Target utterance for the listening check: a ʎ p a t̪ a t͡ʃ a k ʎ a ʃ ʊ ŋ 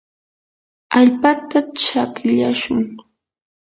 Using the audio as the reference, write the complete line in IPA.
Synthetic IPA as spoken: a ʎ p a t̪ a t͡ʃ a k ʎ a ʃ ʊ ŋ